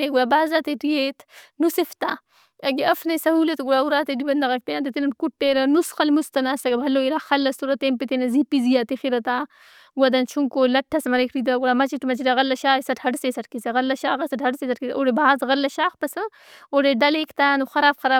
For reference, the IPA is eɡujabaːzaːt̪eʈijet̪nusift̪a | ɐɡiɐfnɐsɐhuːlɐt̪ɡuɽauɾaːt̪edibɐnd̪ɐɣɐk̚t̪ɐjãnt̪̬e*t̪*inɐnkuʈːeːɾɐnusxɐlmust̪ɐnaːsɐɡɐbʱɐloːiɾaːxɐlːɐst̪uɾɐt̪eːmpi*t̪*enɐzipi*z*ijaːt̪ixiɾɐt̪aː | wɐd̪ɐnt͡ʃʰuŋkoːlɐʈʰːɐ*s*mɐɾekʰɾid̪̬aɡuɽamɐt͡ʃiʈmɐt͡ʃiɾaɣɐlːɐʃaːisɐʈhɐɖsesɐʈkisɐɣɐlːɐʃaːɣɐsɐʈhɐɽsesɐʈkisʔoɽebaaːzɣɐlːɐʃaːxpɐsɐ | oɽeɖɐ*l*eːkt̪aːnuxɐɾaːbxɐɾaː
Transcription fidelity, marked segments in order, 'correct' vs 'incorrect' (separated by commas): correct, correct, correct, correct, correct